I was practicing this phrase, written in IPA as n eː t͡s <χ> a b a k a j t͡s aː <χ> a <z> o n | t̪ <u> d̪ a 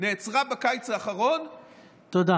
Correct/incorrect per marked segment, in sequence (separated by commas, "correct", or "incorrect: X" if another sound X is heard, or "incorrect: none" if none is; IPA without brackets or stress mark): incorrect: ʁ, correct, incorrect: ʁ, incorrect: o